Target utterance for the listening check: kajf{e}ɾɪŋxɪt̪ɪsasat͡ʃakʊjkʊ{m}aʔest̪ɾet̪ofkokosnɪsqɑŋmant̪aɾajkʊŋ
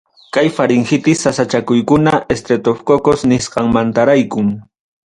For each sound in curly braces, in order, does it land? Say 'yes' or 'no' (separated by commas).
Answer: no, no